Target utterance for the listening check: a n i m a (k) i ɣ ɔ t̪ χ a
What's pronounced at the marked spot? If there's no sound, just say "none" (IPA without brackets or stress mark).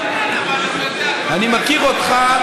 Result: k